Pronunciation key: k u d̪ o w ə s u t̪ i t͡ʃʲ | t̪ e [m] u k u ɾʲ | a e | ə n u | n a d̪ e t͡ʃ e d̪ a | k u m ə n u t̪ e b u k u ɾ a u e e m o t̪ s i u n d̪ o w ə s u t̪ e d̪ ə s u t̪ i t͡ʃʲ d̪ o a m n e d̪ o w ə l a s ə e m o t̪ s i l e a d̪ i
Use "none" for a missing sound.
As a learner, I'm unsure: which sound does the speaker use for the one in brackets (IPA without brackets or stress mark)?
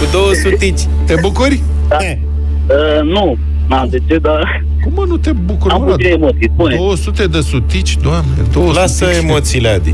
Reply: b